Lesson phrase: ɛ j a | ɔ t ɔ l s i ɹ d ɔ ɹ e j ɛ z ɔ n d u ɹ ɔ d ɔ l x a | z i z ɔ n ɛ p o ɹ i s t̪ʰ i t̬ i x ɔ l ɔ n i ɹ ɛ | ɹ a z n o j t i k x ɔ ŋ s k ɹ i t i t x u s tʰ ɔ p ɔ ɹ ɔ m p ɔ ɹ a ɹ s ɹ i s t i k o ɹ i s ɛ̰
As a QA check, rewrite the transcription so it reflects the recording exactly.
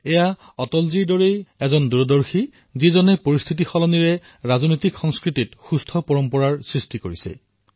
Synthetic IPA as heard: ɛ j a | ɔ t ɔ l z i ɹ d ɔ ɹ e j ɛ z ɔ n d u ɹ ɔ d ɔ ɹ x i | z i z ɔ n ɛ p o ɹ i s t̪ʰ i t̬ i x ɔ l ɔ n i ɹ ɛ | ɹ a z n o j t i k x ɔ ŋ s k ɹ i t i t x u s tʰ ɔ p ɔ ɹ ɔ m p ɔ ɹ a ɹ s ɹ i s t i k o ɹ i s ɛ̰